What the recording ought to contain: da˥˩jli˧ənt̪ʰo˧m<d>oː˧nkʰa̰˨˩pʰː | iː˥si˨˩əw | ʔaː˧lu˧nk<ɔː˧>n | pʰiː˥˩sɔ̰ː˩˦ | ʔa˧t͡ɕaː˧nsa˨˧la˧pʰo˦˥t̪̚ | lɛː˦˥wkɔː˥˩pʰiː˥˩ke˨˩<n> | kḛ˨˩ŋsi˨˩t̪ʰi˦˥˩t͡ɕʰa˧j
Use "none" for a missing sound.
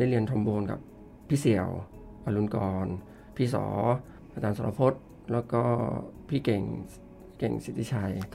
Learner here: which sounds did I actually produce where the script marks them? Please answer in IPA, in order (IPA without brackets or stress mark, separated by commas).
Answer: b, ɔː˧, ŋ